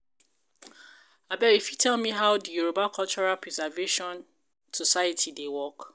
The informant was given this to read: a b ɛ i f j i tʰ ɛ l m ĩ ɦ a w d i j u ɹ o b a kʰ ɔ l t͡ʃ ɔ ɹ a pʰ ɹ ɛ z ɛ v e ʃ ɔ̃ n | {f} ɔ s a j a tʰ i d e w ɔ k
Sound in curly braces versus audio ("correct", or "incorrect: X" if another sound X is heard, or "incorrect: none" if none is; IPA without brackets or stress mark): incorrect: s